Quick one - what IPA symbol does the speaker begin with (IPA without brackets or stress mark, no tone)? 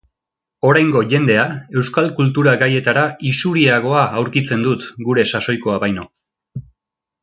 o̞